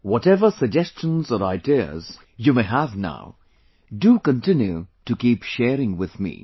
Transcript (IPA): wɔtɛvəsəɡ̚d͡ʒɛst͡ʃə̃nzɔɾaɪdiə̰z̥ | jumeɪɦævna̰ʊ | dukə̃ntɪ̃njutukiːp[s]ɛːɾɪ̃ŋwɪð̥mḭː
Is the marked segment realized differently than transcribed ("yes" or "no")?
yes